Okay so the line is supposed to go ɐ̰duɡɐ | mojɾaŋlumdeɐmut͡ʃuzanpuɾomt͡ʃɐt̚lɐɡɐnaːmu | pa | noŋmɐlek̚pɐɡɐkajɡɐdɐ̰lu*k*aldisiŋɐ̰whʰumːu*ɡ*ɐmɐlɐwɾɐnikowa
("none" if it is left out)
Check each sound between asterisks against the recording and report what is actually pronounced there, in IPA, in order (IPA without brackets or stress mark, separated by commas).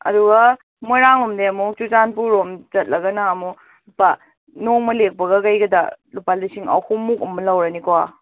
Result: p, k